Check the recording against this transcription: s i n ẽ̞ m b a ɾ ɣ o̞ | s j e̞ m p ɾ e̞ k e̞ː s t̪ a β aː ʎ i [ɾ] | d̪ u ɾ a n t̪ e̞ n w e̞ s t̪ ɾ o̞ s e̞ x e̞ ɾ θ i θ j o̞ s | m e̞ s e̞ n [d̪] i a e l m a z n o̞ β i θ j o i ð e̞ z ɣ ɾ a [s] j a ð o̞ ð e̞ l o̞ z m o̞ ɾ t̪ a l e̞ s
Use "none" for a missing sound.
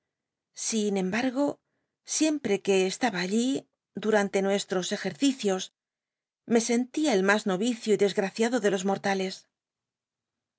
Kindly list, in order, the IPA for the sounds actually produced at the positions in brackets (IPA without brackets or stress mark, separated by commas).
none, t̪, θ